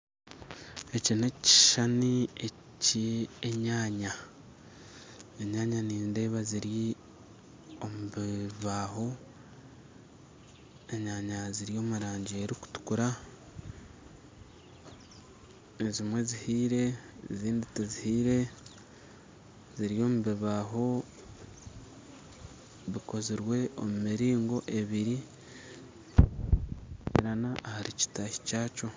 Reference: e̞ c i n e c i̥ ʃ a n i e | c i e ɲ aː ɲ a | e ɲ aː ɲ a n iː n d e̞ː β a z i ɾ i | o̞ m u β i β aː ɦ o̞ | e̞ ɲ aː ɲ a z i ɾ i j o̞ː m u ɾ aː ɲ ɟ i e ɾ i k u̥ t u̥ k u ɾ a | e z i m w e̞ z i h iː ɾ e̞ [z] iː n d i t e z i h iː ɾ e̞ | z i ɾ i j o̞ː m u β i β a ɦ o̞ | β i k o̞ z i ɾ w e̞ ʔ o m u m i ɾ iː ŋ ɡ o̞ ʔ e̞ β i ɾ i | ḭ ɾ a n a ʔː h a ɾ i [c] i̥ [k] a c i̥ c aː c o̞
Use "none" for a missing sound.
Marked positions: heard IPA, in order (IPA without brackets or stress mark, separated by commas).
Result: z, c, t